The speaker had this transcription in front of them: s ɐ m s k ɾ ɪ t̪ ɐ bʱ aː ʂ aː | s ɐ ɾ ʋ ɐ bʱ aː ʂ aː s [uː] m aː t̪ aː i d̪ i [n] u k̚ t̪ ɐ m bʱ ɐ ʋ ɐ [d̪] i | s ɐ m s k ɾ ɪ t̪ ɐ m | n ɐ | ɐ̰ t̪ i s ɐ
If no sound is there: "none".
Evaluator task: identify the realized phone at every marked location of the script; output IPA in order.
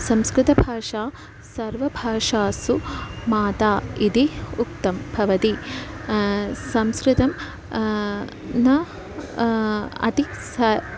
u, none, t̪

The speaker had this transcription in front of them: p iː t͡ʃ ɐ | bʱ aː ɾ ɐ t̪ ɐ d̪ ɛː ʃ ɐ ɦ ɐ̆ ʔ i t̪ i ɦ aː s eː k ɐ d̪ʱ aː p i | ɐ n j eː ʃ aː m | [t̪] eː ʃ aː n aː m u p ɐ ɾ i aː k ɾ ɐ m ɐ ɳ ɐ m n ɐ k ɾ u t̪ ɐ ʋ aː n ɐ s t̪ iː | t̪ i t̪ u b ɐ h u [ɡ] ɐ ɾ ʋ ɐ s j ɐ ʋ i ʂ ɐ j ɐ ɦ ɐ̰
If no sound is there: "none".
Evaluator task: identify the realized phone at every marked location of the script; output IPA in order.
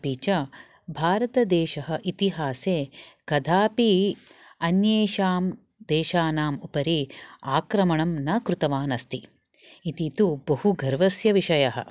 d̪, ɡ

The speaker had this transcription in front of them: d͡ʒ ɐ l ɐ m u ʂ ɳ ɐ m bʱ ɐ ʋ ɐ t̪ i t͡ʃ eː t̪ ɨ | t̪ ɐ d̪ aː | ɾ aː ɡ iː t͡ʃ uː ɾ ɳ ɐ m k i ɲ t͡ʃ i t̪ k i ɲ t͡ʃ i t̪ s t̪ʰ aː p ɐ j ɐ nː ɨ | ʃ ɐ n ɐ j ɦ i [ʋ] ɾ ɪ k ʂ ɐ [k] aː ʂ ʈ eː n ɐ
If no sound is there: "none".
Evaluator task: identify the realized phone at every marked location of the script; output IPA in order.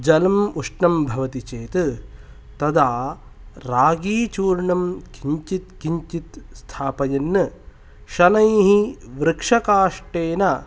ʋ, k

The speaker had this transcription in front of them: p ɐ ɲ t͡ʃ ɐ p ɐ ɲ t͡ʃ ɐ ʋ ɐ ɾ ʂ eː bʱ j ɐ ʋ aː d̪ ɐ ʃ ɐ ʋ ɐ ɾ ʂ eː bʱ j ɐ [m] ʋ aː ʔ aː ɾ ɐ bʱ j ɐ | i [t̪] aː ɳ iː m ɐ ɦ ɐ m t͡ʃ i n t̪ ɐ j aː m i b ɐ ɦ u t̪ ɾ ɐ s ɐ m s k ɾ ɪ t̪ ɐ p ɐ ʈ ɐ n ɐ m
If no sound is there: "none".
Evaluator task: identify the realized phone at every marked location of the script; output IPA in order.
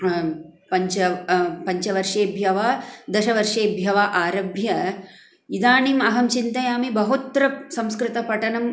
none, d̪

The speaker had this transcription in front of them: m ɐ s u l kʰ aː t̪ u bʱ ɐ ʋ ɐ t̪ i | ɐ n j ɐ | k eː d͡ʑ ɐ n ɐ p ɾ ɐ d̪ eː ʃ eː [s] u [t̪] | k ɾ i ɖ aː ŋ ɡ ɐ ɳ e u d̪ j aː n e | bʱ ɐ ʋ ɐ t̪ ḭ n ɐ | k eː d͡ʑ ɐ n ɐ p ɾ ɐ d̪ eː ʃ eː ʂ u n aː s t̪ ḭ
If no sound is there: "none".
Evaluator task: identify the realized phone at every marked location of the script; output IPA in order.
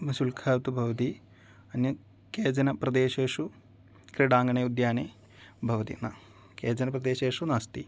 ʂ, none

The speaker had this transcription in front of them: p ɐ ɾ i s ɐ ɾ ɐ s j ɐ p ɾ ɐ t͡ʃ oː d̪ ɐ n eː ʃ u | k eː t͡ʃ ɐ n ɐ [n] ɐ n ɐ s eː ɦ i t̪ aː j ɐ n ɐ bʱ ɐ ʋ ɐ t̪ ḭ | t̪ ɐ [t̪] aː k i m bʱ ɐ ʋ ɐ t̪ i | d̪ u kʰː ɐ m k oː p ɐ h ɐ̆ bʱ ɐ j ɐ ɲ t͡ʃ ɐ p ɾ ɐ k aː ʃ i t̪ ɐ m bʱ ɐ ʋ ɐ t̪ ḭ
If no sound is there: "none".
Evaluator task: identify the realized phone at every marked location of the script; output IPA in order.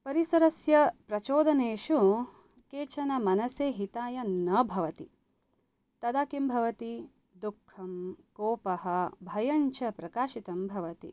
m, d̪

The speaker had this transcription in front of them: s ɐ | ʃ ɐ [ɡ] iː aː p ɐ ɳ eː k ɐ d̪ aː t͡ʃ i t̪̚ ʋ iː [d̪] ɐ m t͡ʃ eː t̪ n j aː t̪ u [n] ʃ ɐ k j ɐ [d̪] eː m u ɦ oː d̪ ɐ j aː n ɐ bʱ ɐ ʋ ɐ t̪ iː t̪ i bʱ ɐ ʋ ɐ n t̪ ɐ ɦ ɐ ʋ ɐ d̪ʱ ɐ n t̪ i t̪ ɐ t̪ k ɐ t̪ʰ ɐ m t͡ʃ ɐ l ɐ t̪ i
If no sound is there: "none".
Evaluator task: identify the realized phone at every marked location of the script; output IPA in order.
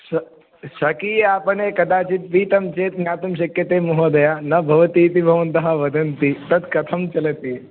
k, t̪, m, t̪

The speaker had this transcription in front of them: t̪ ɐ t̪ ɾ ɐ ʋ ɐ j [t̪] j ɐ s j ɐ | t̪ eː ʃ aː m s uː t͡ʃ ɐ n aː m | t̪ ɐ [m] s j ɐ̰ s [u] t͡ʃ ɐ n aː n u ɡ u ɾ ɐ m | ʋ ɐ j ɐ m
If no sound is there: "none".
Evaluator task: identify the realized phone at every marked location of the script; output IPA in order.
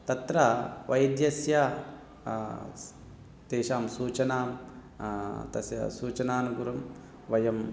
d̪, none, uː

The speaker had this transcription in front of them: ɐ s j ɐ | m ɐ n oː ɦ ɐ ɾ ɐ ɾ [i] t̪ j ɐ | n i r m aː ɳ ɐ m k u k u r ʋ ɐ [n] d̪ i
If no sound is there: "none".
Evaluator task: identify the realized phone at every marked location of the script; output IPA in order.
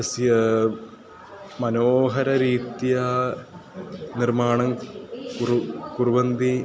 iː, n

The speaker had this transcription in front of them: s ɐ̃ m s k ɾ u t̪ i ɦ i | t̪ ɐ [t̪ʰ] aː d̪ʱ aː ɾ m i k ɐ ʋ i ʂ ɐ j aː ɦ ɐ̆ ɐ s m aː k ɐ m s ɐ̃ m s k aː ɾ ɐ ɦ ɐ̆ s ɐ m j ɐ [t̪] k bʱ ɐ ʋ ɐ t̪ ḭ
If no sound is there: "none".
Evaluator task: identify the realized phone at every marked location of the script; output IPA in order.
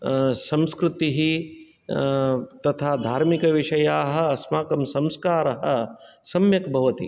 t̪ʰ, none

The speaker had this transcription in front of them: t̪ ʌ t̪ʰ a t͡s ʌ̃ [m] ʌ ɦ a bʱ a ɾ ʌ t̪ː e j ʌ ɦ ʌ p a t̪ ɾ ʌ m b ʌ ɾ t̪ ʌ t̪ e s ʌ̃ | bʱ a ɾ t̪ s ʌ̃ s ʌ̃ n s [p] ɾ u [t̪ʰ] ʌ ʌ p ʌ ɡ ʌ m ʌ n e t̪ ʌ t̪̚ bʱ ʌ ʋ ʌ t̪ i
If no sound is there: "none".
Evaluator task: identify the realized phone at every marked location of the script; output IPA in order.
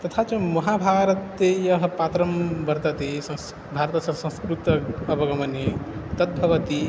m, k, t̪

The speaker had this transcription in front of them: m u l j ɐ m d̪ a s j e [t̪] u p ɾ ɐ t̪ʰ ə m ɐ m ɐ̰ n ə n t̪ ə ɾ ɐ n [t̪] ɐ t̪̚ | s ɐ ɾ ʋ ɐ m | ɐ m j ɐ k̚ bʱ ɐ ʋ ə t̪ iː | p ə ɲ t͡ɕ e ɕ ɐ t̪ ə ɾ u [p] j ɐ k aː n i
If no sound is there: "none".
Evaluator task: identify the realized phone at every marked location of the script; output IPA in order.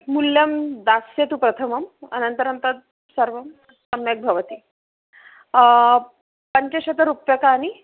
t̪, t̪, p

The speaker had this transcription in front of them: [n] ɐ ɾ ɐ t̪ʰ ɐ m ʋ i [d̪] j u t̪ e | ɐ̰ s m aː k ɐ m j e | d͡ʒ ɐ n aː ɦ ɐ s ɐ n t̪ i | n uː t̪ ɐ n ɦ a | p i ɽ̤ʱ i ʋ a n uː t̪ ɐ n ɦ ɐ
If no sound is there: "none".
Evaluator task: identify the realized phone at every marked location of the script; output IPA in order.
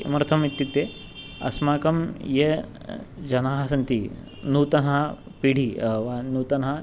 m, t̪

